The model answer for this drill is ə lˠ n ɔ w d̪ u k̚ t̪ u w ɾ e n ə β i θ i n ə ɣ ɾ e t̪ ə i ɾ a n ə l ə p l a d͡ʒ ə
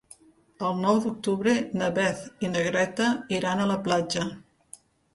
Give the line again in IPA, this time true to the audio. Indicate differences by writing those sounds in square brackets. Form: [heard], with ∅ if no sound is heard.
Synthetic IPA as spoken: ə lˠ n ɔ w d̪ u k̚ t̪ u [β] ɾ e n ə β [ɛ] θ i n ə ɣ ɾ [ɛ] t̪ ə i ɾ a n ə l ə p l a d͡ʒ ə